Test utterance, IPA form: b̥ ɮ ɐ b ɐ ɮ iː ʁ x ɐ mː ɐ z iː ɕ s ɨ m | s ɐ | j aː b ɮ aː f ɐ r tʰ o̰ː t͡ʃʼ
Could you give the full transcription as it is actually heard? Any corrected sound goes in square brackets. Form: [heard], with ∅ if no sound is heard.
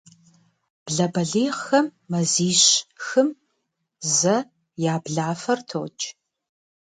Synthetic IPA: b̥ ɮ ɐ b ɐ ɮ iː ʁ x ɐ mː ɐ z iː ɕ [x] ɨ m | [z] ɐ | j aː b ɮ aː f ɐ r tʰ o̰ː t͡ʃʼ